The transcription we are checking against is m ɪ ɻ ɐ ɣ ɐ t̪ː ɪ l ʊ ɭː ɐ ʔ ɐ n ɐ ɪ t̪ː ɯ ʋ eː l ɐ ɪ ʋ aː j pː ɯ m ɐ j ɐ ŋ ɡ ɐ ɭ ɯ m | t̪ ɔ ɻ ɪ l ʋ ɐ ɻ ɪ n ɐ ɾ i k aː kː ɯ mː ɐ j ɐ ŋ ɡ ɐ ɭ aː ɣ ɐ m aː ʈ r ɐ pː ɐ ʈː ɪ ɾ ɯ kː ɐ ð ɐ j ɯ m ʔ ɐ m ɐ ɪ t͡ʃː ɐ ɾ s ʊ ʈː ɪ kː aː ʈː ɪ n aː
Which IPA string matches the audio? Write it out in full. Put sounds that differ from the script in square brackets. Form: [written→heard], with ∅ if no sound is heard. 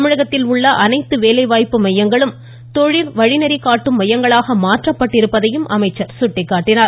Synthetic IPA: m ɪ ɻ ɐ ɣ ɐ t̪ː ɪ l ʊ ɭː ɐ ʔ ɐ n ɐ ɪ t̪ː ɯ ʋ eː l ɐ ɪ ʋ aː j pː ɯ m ɐ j ɐ ŋ ɡ ɐ ɭ ɯ m | t̪ ɔ ɻ ɪ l ʋ ɐ ɻ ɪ n ɐ ɾ i k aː [kː→ʈː] ɯ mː ɐ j ɐ ŋ ɡ ɐ ɭ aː ɣ ɐ m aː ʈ r ɐ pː ɐ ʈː ɪ ɾ ɯ [kː→pː] ɐ ð ɐ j ɯ m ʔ ɐ m ɐ ɪ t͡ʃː ɐ ɾ s ʊ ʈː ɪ kː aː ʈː ɪ n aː